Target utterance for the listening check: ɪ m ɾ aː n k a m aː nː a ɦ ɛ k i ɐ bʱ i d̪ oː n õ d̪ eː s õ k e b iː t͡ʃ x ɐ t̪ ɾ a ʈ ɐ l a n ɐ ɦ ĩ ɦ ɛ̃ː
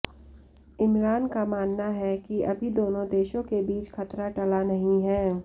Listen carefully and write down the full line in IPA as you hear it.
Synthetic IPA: ɪ m ɾ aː n k a m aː nː a ɦ ɛ k i ɐ bʱ i d̪ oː n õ d̪ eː ʃ õ k e b iː t͡ʃ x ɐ t̪ ɾ a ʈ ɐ l a n ɐ ɦ ĩ ɦ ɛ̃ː